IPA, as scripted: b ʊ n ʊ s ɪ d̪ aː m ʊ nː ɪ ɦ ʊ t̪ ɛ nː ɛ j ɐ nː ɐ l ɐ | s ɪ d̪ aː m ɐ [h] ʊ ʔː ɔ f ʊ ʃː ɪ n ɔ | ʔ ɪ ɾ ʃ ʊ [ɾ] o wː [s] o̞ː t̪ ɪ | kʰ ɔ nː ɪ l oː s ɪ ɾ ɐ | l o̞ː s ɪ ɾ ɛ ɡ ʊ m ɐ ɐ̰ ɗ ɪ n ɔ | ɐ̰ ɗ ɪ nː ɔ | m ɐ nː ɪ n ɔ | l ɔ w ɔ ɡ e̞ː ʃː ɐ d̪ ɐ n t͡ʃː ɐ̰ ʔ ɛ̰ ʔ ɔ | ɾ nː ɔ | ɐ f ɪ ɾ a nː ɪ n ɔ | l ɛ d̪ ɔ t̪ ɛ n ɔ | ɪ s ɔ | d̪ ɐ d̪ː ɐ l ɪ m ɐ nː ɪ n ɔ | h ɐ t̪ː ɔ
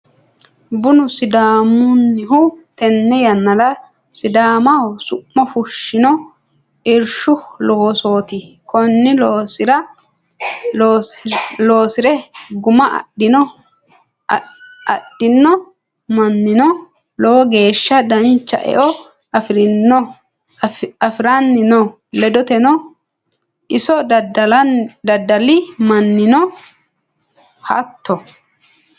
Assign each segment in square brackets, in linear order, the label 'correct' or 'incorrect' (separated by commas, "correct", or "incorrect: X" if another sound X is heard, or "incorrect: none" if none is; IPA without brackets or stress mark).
incorrect: s, incorrect: l, correct